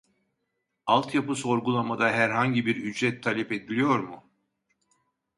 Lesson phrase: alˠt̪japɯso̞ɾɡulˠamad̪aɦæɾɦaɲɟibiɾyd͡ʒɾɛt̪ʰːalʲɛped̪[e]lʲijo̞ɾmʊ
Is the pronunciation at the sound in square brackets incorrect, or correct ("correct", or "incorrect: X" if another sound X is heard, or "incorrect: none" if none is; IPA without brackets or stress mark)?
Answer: incorrect: i